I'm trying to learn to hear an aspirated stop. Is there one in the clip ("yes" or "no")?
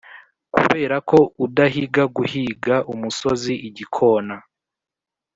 yes